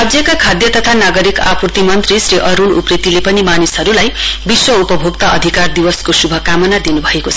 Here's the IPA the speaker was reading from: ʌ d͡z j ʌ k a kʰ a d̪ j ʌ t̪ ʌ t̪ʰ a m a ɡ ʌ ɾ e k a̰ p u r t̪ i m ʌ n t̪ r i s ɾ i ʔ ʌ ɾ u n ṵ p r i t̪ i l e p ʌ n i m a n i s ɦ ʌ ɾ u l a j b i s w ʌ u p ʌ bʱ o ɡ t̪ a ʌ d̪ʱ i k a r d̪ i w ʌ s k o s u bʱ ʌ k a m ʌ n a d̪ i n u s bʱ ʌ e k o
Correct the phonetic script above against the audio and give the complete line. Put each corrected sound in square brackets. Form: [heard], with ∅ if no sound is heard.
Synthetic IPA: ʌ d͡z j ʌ k a kʰ a d̪ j ʌ t̪ ʌ t̪ʰ a [n] a ɡ ʌ ɾ [i] k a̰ p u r t̪ i m ʌ n t̪ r i s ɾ i ʔ ʌ ɾ u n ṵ p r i t̪ i l e p ʌ n i m a n i s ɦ ʌ ɾ u l a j b i s w ʌ u p ʌ bʱ o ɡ t̪ a ʌ d̪ʱ i k a r d̪ i w ʌ s k o s u bʱ ʌ k a m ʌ n a d̪ i n u [∅] bʱ ʌ e k o